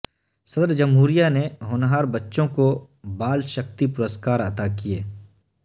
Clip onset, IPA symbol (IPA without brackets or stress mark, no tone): s